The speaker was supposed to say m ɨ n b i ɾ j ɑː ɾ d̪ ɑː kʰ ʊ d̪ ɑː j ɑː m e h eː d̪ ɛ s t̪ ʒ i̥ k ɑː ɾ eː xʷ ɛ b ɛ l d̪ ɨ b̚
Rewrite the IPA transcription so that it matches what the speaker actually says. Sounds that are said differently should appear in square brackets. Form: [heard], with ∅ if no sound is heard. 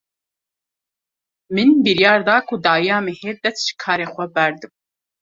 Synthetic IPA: m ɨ n b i ɾ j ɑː ɾ d̪ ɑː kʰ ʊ d̪ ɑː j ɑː m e h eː d̪ ɛ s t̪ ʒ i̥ [kʰ] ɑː ɾ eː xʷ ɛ b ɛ [ɾ] d̪ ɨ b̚